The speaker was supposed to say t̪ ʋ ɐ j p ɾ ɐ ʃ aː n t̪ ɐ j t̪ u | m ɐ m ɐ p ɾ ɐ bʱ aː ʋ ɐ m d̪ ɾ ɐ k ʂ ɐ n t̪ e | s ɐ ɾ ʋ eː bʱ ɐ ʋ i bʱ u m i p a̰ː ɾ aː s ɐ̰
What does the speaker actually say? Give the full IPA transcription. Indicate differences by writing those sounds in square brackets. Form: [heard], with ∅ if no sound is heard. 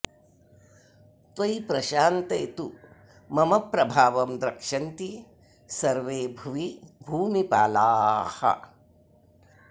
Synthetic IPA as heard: t̪ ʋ ɐ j p ɾ ɐ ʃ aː n t̪ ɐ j t̪ u | m ɐ m ɐ p ɾ ɐ bʱ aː ʋ ɐ m d̪ ɾ ɐ k ʂ ɐ n t̪ [i] | s ɐ ɾ ʋ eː bʱ ɐ ʋ i bʱ [uː] m i p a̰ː [l] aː [h] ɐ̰